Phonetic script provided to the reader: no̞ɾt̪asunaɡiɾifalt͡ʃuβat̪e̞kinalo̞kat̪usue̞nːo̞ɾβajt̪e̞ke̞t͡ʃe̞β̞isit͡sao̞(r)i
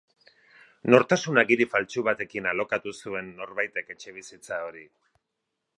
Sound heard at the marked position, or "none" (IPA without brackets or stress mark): ɾ